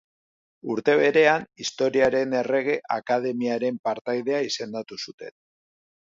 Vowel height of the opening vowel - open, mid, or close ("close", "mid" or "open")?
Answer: close